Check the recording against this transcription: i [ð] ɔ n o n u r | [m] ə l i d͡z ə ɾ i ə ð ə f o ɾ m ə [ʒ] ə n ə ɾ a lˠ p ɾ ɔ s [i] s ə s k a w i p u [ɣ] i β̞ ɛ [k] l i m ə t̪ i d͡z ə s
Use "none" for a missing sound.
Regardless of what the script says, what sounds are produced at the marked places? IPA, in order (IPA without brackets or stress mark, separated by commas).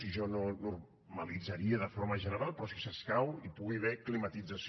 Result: ʒ, m, ʒ, i, ɣ, k